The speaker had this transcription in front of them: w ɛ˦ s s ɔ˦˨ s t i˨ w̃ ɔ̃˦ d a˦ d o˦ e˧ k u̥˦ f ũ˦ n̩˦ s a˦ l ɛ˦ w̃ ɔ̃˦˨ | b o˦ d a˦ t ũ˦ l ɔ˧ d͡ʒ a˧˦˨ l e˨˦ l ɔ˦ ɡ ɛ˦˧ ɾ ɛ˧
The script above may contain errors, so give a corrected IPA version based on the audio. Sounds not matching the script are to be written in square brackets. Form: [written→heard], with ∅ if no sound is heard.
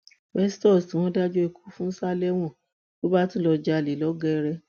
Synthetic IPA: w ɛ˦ s [s→t] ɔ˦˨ s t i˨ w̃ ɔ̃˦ d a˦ [d→d͡ʒ] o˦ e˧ k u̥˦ f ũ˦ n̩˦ s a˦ l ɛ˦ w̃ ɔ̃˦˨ | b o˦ [d→b] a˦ t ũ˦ l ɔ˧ d͡ʒ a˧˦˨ l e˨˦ l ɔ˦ ɡ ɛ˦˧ ɾ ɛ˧